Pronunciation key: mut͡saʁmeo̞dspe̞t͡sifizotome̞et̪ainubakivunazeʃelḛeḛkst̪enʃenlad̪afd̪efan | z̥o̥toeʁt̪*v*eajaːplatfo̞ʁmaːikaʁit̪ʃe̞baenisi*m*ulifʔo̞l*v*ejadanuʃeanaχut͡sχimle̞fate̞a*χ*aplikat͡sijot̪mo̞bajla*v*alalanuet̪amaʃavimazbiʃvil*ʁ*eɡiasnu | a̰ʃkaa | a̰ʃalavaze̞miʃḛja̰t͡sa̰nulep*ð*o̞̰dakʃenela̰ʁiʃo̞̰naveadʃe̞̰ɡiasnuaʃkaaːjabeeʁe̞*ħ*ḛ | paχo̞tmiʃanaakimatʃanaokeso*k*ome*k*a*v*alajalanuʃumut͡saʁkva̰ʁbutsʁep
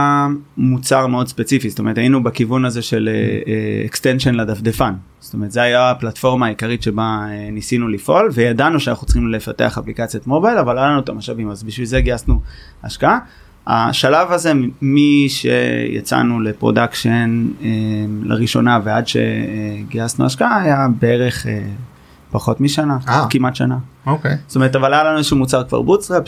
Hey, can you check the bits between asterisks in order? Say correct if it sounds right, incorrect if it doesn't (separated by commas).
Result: incorrect, incorrect, correct, correct, correct, incorrect, incorrect, incorrect, incorrect, incorrect, correct